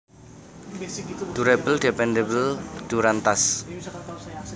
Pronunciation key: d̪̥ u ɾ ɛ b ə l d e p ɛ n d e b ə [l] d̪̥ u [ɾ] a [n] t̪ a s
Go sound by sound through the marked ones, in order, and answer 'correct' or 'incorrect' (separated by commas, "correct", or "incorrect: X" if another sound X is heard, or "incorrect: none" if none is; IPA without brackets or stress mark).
correct, correct, correct